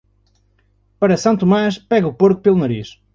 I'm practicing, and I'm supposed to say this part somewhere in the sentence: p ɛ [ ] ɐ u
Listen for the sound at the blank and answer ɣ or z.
ɣ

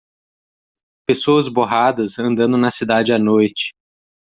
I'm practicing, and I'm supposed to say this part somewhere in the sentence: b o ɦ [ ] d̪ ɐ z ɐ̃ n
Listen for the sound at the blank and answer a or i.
a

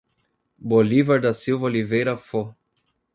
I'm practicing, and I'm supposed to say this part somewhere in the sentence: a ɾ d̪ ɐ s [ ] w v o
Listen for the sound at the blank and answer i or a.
i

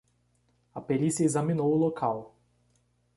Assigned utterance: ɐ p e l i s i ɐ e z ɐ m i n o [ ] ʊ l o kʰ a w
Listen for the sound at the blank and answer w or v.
w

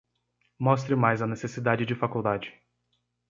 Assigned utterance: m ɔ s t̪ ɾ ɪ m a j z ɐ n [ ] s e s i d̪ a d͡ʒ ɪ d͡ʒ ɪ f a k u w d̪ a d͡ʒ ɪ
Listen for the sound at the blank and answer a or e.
e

